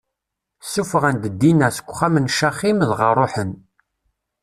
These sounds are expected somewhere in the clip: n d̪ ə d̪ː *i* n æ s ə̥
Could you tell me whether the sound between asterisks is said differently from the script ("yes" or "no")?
no